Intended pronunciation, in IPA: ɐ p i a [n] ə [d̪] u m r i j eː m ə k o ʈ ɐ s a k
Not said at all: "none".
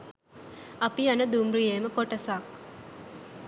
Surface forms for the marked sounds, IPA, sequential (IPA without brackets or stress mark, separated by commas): n, d̪